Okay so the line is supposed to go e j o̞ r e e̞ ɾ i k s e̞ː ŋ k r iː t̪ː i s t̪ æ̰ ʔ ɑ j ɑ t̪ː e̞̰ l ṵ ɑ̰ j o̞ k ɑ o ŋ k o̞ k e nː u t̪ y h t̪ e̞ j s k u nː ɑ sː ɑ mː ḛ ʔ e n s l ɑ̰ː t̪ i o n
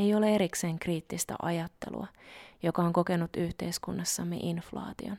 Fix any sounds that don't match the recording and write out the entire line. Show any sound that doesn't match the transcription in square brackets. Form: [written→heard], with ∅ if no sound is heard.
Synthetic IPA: e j o̞ [r→l] e e̞ ɾ i k s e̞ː ŋ k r iː t̪ː i s t̪ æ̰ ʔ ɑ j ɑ t̪ː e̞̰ l ṵ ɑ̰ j o̞ k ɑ o ŋ k o̞ k e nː u t̪ y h t̪ e̞ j s k u nː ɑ sː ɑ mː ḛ ʔ [e→i] n [s→f] l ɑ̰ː t̪ i o n